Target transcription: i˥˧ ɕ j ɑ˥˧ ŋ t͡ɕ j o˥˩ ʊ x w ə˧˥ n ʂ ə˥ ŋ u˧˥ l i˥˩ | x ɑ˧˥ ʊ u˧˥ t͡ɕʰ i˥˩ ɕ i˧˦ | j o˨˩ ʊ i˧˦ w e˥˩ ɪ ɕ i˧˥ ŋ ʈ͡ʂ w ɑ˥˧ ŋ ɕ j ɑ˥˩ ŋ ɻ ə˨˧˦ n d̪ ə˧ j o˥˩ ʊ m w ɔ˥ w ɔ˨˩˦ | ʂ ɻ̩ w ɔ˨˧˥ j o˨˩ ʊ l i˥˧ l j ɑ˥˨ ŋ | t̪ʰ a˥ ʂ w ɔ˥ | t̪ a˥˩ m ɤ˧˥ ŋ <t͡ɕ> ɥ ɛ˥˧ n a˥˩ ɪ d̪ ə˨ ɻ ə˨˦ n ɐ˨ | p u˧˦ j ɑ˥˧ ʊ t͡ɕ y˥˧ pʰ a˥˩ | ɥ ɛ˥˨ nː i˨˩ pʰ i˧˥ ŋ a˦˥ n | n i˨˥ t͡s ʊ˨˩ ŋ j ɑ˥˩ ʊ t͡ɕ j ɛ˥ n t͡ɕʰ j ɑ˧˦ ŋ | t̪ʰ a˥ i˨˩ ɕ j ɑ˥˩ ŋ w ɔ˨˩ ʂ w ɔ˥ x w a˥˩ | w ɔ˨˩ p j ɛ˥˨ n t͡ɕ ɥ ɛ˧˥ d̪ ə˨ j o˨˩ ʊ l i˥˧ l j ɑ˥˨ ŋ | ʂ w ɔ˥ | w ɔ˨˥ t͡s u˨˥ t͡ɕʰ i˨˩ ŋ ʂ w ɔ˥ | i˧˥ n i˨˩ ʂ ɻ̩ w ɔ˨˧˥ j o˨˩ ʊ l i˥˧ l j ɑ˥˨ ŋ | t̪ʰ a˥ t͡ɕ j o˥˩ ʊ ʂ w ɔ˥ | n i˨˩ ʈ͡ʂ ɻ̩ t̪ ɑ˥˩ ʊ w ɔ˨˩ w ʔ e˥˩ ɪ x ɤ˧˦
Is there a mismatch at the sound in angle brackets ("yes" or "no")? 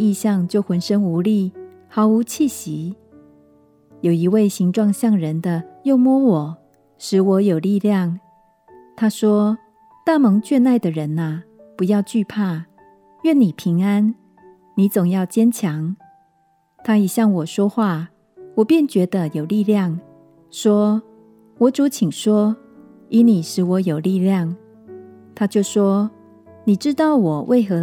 no